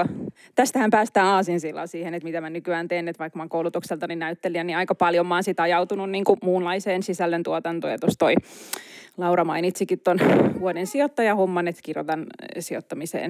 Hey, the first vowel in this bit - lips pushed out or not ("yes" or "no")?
no